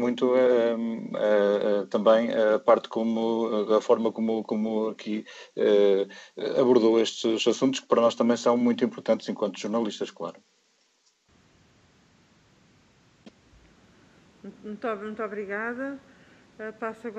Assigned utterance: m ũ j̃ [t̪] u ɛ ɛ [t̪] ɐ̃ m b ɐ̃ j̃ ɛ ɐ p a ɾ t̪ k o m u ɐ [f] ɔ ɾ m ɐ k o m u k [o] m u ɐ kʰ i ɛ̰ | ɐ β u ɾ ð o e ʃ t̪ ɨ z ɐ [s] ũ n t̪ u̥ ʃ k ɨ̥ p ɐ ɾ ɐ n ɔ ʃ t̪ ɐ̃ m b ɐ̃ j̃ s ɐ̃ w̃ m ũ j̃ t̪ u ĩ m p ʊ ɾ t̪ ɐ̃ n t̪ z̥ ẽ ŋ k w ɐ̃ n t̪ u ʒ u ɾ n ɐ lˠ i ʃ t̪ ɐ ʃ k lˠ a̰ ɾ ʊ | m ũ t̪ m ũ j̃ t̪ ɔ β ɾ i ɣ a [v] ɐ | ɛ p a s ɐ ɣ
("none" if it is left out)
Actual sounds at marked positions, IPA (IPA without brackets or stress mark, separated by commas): t̪, t̪, f, o, s, ð